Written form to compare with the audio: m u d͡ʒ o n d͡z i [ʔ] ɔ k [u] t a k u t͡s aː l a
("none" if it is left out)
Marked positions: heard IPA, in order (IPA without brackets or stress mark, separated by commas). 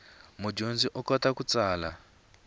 ʔ, ɔ